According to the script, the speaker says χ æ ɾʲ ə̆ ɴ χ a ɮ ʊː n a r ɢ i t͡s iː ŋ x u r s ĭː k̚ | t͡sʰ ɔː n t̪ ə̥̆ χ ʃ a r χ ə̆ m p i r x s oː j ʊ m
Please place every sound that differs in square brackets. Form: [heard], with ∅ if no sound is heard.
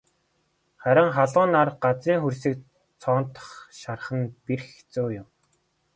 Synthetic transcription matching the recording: χ æ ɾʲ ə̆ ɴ χ a ɮ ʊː n a r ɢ [a] t͡s iː ŋ x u r s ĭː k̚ | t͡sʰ ɔː n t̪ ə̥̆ χ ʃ a r χ ə̆ [n] p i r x [t͡s] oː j ʊ m